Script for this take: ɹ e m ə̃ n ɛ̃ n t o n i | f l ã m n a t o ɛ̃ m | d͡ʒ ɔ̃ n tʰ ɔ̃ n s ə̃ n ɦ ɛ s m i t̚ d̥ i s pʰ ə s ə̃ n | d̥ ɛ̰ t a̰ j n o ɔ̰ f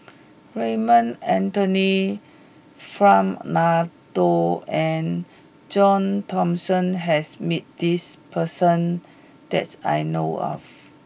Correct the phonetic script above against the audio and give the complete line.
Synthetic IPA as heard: ɹ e m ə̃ n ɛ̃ n t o n i | f ɹ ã m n a t o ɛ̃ n | d͡ʒ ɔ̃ n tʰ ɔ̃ m s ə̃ n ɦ ɛ s m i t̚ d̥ i s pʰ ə s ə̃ n | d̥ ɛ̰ t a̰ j n o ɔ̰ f